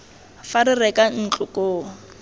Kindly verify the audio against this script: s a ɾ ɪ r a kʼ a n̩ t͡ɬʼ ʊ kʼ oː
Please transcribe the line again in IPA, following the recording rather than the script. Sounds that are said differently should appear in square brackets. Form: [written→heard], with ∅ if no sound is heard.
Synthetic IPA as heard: [s→f] a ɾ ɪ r [a→ɛ] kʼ a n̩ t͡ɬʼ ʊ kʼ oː